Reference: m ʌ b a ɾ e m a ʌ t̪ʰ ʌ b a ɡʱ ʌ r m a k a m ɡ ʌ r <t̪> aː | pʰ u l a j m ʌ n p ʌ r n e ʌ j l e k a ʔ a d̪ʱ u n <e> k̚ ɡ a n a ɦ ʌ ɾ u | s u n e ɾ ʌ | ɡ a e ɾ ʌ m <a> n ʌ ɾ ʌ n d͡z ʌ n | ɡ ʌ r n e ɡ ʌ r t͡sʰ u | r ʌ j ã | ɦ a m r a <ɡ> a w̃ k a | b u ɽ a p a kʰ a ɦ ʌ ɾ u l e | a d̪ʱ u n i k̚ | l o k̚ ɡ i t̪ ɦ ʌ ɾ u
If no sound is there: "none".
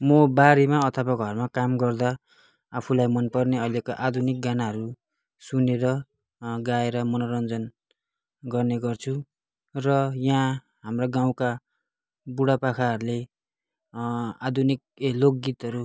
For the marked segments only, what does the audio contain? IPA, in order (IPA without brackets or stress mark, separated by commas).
d̪, i, ʌ, ɡ